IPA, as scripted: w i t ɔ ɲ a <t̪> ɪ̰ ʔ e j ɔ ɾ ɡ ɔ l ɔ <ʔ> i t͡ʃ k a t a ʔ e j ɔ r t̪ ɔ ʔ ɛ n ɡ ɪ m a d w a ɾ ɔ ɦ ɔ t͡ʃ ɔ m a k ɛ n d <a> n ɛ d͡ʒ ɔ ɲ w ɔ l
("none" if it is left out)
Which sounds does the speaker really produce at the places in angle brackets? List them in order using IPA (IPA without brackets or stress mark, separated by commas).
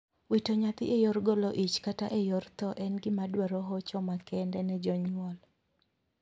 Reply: t̪, ʔ, ɛ